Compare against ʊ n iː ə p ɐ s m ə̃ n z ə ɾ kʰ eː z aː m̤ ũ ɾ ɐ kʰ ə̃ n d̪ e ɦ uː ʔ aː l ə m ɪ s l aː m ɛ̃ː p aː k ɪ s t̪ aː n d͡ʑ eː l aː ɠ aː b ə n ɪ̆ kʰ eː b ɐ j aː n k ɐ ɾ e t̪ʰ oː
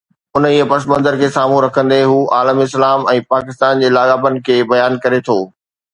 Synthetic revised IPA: ʊ n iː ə p ɐ s m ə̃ n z ə ɾ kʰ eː s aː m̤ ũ ɾ ɐ kʰ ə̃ n d̪ e ɦ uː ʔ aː l ə m ɪ s l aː m ɛ̃ː p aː k ɪ s t̪ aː n d͡ʑ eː l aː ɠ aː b ə n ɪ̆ kʰ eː b ɐ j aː n k ɐ ɾ e t̪ʰ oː